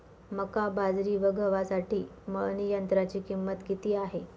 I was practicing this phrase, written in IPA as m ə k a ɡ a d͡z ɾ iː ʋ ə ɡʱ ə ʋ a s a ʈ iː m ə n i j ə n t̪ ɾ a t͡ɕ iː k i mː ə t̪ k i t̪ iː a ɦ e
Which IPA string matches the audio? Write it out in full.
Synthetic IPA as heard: m ə k a b a d͡z ɾ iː ʋ ə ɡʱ ə ʋ a s a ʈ iː m ə n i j ə n t̪ ɾ a t͡ɕ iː k i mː ə t̪ k i t̪ iː a ɦ e